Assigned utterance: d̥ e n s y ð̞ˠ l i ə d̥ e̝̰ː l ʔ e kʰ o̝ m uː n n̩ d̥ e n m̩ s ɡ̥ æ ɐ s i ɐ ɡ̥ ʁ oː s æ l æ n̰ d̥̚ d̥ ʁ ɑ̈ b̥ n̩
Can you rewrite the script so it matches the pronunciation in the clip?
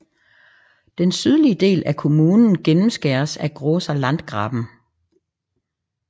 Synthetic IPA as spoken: d̥ e n s y ð̞ˠ l i ə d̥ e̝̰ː l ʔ æ kʰ o̝ m uː n n̩ ɡ̥ e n m̩ s ɡ̥ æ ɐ s æ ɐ ɡ̥ ʁ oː s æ l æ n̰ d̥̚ ɡ̥ ʁ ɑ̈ b̥ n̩